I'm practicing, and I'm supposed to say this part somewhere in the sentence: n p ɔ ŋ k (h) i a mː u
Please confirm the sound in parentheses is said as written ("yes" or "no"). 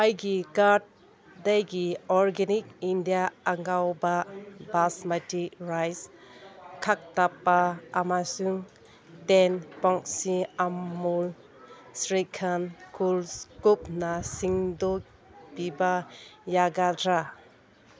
no